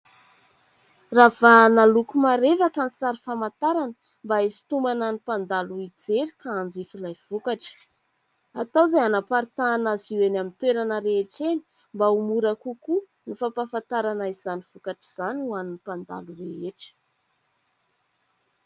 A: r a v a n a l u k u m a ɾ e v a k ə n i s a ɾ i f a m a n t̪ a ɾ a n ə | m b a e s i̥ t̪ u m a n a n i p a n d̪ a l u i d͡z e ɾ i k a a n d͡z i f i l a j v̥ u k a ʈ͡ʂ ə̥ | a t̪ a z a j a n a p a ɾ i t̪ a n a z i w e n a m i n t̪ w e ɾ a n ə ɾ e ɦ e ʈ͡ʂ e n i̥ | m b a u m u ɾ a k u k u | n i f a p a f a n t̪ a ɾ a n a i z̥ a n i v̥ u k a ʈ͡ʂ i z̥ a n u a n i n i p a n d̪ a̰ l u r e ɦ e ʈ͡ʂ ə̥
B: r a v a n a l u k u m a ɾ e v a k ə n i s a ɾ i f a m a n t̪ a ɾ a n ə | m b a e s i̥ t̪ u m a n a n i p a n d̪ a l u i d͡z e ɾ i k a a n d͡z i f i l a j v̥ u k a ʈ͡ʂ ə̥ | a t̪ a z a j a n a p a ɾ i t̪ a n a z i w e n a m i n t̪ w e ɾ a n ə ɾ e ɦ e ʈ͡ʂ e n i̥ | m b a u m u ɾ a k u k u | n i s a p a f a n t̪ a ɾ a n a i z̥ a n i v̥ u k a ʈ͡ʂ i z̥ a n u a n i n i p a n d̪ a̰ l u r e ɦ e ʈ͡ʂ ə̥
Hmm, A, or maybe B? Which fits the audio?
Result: A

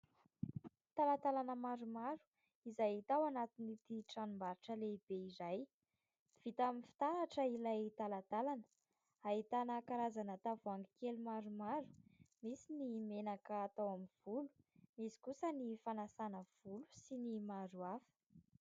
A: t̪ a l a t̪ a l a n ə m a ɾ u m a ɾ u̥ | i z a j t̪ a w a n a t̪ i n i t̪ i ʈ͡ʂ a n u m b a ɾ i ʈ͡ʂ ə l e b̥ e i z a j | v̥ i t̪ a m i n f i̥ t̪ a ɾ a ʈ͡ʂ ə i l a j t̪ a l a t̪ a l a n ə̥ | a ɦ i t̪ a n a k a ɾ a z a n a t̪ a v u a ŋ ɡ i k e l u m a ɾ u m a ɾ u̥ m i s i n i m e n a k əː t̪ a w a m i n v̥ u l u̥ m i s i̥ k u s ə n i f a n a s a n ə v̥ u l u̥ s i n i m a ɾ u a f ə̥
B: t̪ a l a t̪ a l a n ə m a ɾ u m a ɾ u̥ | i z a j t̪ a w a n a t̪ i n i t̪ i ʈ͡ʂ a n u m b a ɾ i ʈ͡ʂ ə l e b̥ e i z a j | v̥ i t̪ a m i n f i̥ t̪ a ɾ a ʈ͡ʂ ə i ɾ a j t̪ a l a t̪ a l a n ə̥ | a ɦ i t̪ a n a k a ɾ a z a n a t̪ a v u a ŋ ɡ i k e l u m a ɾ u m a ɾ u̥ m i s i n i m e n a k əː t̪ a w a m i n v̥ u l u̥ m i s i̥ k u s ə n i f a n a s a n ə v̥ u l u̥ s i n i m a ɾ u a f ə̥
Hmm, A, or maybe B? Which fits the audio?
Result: A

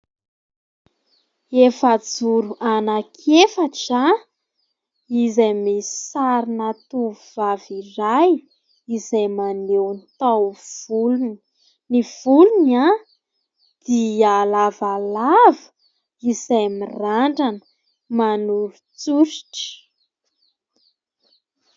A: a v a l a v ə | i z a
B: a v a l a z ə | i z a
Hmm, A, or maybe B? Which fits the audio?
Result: A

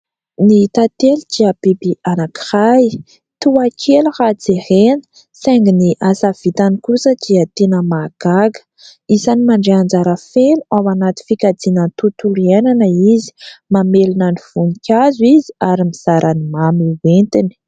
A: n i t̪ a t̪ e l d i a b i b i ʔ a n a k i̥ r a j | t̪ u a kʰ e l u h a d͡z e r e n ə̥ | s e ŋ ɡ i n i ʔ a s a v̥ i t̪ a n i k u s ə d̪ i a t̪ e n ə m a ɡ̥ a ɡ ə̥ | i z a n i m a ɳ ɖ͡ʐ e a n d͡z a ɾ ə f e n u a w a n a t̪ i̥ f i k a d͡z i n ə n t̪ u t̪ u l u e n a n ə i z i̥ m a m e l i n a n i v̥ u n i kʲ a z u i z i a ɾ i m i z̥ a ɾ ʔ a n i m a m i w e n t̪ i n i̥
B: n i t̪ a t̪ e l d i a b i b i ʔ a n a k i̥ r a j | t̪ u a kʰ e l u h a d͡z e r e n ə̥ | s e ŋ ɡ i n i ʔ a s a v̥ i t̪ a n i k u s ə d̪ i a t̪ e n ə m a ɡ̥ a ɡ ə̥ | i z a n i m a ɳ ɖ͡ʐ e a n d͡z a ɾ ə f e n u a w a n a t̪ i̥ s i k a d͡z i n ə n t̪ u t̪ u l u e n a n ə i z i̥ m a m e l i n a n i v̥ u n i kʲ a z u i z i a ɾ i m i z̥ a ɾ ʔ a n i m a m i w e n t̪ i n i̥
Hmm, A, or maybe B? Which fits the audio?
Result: A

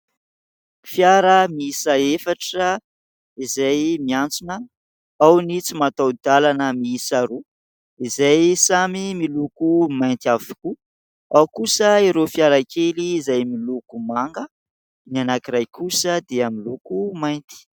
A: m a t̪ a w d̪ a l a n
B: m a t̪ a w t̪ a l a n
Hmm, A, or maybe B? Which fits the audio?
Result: A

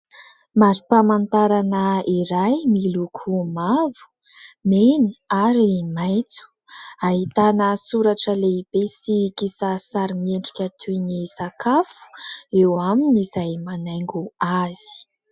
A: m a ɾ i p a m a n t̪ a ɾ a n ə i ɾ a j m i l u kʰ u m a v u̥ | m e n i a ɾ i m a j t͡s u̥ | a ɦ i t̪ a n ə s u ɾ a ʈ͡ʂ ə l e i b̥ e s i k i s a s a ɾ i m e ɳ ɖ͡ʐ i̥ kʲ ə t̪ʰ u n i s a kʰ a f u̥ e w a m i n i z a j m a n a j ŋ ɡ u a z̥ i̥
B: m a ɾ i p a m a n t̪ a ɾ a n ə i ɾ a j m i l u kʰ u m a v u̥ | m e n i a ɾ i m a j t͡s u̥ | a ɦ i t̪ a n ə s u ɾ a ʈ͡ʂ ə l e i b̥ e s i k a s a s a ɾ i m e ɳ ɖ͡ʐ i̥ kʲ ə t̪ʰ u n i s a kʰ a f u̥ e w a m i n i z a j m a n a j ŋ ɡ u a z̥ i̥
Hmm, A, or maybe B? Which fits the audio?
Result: A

